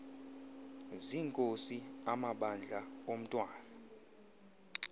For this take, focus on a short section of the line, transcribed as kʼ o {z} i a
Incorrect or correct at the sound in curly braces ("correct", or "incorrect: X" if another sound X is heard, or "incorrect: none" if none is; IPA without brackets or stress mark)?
incorrect: s